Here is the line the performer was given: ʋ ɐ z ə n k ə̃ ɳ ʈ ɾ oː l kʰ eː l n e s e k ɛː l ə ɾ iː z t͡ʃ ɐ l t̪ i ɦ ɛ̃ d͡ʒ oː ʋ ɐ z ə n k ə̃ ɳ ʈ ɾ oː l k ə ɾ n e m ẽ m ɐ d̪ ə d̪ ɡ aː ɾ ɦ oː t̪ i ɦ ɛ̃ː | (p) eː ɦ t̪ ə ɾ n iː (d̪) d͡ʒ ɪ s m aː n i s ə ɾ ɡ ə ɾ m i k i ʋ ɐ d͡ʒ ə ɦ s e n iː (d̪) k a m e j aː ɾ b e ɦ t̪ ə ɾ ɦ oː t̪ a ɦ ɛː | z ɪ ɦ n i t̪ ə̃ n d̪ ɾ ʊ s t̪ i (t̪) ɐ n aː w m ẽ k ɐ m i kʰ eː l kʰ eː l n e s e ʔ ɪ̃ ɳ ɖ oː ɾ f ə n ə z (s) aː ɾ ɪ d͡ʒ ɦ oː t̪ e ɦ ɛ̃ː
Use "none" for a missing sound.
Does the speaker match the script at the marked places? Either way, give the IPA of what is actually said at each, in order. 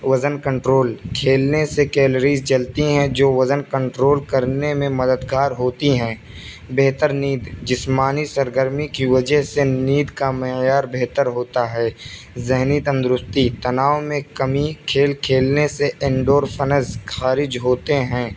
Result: b, d̪, d̪, t̪, x

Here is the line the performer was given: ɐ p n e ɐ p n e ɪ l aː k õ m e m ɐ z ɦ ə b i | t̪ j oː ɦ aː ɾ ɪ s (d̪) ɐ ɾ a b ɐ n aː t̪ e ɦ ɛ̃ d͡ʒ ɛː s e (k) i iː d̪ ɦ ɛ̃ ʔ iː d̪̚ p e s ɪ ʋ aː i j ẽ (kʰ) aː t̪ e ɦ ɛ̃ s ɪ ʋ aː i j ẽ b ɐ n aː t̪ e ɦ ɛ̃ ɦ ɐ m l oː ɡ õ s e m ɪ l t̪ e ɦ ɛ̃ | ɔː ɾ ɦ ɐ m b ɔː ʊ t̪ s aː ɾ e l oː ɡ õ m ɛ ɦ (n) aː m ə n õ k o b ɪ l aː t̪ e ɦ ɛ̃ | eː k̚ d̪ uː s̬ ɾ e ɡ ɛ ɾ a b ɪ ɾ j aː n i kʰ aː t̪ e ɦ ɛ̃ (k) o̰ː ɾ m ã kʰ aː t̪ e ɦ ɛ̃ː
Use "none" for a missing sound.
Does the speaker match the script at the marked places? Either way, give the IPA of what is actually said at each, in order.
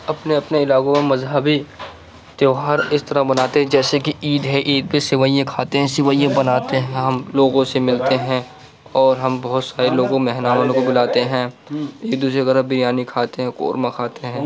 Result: t̪, k, kʰ, n, k

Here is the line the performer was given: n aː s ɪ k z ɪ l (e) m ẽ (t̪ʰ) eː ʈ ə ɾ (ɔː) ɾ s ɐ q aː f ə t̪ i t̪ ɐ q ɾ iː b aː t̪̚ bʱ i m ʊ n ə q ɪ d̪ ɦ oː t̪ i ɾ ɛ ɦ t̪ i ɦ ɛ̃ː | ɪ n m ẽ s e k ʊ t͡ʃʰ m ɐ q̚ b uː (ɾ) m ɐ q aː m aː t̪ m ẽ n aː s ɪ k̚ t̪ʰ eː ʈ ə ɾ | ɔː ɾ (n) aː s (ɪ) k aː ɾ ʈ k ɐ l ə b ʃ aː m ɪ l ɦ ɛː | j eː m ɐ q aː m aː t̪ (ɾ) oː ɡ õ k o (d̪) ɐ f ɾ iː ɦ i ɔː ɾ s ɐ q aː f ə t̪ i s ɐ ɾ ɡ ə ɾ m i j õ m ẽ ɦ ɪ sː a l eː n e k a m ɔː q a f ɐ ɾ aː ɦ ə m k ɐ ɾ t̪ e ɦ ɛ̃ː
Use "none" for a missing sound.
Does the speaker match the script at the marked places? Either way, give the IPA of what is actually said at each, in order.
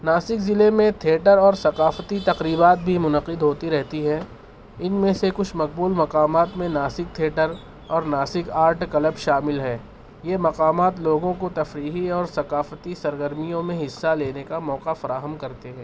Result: e, t̪ʰ, ɔː, l, n, ɪ, l, t̪

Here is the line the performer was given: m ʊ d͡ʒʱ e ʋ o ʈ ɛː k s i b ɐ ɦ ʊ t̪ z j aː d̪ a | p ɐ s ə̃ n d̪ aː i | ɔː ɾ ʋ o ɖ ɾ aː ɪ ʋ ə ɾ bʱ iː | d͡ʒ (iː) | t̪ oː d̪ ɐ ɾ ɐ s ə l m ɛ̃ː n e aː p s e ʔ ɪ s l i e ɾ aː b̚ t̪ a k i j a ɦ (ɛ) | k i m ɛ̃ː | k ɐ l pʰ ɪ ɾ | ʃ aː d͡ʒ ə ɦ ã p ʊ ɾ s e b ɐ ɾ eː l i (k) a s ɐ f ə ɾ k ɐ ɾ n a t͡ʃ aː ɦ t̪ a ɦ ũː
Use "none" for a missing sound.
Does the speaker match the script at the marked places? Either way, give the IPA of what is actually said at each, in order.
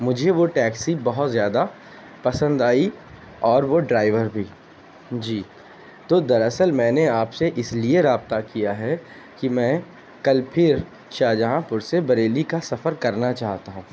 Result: iː, ɛ, k

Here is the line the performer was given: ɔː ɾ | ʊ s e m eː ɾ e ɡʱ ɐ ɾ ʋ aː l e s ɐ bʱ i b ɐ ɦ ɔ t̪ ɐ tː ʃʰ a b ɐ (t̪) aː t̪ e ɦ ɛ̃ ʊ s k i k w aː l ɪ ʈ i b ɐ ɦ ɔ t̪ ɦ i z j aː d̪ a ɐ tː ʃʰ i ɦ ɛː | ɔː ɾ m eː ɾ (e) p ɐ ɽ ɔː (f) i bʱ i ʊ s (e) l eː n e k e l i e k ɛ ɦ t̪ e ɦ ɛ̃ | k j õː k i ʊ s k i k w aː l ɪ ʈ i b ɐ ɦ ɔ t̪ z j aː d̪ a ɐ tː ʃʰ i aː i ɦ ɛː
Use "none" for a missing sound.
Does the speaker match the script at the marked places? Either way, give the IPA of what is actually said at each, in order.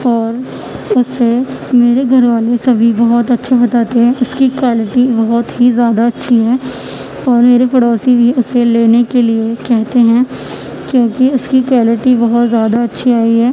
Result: t̪, e, s, e

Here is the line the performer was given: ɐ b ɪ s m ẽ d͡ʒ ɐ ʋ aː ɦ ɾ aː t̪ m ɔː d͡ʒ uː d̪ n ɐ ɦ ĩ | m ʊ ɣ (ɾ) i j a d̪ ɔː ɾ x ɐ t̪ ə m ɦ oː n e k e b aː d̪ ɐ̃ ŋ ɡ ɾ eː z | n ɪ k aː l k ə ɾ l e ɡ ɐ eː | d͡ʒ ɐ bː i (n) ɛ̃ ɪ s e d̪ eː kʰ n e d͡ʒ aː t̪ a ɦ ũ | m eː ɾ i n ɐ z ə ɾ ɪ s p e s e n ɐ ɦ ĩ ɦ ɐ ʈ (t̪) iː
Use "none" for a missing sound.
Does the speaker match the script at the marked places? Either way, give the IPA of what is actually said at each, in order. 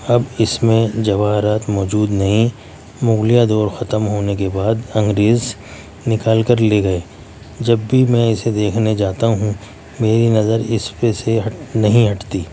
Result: l, m, t̪

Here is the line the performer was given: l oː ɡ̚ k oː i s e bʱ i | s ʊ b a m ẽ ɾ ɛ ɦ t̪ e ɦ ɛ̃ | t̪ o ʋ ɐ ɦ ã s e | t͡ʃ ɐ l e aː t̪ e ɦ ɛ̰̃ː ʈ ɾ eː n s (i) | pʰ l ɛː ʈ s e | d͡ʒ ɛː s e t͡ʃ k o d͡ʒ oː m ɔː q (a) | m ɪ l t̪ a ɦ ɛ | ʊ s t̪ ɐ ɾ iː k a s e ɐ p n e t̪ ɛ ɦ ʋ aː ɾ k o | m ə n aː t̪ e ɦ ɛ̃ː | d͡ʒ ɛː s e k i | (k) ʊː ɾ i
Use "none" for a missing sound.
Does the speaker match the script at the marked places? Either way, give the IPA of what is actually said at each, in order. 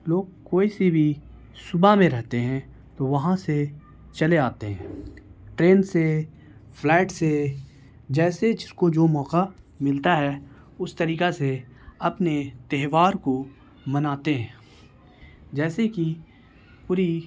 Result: e, a, p

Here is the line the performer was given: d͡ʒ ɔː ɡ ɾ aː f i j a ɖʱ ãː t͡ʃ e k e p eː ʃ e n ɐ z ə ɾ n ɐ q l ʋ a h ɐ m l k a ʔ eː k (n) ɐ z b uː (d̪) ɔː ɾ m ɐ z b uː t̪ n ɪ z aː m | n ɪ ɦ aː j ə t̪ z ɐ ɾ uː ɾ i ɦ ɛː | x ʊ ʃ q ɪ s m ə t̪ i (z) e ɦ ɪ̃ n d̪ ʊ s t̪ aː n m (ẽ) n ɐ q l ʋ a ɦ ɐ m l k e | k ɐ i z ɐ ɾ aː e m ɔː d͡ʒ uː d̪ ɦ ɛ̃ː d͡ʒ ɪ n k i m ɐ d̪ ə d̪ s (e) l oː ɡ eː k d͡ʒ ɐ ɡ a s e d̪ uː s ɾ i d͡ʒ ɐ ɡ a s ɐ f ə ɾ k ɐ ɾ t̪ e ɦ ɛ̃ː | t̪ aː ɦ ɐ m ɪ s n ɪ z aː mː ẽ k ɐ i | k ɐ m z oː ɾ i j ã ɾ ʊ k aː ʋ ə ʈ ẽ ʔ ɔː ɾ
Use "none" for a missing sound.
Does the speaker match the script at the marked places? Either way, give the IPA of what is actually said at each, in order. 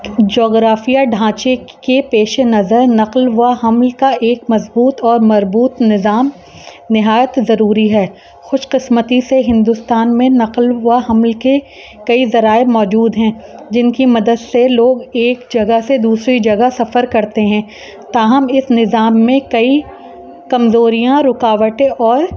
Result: m, t̪, s, ẽ, e

